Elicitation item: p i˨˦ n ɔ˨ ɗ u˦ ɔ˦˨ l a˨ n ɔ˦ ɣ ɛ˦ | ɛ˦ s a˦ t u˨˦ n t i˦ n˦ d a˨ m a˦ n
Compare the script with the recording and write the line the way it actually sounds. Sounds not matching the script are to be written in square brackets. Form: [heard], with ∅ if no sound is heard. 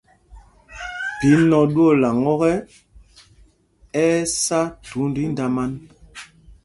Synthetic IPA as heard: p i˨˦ n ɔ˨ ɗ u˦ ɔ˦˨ l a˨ [ŋ] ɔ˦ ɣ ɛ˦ | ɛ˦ s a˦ t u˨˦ n [d] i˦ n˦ d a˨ m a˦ n